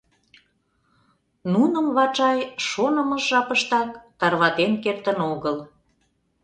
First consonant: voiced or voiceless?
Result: voiced